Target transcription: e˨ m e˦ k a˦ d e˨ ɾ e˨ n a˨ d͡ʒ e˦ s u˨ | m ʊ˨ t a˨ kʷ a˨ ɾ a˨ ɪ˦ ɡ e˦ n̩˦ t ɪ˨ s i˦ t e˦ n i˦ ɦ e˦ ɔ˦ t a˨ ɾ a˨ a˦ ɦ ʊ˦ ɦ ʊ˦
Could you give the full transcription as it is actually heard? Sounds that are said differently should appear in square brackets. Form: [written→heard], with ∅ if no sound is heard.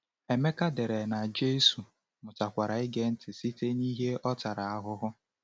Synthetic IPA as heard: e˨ m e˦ k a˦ d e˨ ɾ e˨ n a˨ d͡ʒ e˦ s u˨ | m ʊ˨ t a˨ kʷ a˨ ɾ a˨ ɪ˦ ɡ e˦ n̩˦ t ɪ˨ s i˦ t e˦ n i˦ ɦ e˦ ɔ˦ t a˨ ɾ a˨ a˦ ɦ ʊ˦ ɦ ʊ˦